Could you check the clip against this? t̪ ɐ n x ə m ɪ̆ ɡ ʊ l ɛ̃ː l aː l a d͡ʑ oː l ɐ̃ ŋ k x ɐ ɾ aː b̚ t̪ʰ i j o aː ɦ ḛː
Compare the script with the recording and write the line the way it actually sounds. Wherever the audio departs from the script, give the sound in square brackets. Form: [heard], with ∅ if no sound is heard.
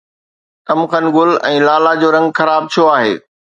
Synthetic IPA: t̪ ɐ [m] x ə [n] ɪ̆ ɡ ʊ l ɛ̃ː l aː l a d͡ʑ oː [ɾ] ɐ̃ ŋ [ɡ] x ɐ ɾ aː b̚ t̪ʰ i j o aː ɦ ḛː